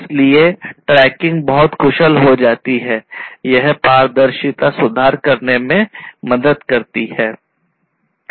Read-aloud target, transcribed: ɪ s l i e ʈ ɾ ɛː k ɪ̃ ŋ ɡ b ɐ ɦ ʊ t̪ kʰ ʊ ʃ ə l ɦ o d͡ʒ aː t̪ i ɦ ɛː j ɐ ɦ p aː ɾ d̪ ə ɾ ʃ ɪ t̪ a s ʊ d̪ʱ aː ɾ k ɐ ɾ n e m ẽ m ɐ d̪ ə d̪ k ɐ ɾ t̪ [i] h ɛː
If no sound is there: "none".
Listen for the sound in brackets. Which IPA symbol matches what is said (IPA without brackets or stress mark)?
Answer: i